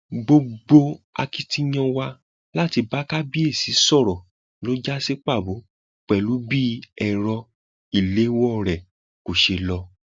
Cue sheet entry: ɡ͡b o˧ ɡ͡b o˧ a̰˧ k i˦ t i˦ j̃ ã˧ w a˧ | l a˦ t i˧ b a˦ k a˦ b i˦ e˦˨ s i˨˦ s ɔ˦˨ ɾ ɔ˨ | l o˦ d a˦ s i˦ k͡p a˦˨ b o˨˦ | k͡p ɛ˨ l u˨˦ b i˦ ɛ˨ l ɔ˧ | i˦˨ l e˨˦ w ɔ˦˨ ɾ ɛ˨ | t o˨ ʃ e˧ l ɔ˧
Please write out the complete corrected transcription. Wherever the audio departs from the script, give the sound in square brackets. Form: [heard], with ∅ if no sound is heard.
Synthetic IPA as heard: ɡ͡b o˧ ɡ͡b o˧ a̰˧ k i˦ t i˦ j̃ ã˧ w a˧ | l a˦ t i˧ b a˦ k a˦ b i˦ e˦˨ s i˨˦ s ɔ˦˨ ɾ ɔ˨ | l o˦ [d͡ʒ] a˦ s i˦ k͡p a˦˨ b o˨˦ | k͡p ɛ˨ l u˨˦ b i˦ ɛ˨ [ɾ] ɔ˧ | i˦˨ l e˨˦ w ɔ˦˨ ɾ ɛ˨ | [k] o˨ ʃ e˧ l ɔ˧